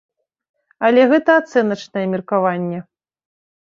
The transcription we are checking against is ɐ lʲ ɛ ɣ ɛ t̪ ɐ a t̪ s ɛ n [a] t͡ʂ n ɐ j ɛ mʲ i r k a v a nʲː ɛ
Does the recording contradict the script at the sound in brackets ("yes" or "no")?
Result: yes